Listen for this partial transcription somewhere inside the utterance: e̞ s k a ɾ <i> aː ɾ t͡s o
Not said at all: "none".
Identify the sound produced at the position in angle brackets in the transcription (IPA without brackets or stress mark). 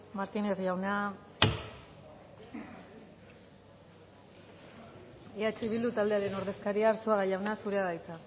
i